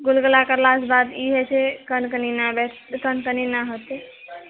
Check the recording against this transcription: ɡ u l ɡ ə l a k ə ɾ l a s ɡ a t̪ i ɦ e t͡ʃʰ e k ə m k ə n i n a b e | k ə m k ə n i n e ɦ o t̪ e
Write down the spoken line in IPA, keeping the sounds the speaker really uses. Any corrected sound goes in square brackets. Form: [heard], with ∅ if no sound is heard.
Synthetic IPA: ɡ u l ɡ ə l a k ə ɾ l a s [b] a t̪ i ɦ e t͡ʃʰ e k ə [n] k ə n i n a b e | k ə [n] k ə n i n [a] ɦ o t̪ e